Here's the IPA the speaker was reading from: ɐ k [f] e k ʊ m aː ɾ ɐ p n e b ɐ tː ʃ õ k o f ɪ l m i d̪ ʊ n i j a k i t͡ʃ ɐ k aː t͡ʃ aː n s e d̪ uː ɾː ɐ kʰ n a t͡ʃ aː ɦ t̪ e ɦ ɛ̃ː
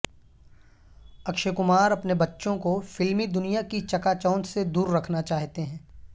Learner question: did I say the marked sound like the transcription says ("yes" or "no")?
no